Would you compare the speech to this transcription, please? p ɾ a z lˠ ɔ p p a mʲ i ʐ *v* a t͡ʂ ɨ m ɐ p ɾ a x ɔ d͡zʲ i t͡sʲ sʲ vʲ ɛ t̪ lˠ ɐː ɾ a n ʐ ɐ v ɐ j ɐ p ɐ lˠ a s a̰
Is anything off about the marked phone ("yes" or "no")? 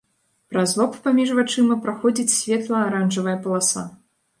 no